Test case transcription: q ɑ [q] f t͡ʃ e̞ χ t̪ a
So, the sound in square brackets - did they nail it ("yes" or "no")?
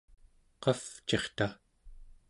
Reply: no